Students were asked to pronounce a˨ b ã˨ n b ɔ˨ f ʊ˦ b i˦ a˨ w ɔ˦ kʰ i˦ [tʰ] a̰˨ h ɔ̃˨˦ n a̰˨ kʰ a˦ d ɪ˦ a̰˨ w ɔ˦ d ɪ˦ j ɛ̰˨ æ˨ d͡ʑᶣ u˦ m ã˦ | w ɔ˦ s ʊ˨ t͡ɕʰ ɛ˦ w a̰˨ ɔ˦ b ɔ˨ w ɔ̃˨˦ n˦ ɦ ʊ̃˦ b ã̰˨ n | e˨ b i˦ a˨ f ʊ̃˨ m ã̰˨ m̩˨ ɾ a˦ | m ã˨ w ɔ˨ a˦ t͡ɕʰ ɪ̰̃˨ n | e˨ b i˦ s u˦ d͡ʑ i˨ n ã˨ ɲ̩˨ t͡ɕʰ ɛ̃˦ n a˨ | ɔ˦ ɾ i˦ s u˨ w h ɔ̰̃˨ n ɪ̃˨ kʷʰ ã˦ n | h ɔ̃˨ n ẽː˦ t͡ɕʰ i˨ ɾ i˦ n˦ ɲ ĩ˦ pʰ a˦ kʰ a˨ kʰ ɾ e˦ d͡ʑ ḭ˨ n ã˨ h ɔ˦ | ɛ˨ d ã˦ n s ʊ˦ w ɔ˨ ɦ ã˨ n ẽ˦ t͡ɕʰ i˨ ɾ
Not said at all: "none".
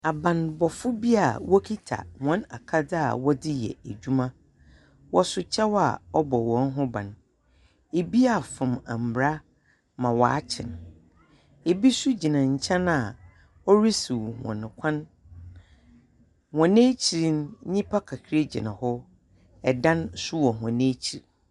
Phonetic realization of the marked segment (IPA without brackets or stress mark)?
tʰ